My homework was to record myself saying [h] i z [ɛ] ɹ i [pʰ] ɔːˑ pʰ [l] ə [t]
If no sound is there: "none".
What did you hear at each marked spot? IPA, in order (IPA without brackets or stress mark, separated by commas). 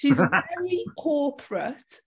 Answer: ʃ, ɛ, kʰ, ɹ, t